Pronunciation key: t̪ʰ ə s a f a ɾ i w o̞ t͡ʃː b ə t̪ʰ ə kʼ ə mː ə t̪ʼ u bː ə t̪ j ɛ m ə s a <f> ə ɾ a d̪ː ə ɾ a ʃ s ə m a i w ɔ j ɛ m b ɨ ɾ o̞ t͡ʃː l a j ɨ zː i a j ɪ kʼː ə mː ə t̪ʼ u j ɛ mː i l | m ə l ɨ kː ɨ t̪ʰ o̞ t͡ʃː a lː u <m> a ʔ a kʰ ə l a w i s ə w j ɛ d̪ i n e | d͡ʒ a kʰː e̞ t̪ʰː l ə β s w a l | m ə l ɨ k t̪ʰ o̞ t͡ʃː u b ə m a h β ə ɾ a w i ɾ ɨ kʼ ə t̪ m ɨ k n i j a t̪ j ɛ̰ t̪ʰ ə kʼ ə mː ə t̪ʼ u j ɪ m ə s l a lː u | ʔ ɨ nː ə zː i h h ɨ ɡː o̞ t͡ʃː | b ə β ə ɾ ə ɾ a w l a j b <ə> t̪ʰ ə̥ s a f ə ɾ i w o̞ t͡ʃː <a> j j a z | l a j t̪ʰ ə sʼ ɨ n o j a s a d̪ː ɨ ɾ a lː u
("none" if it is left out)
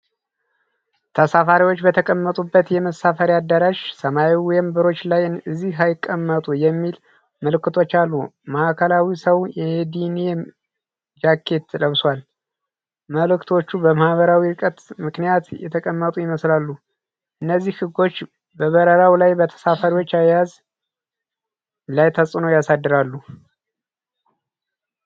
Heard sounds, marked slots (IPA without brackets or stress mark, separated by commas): f, m, ə, a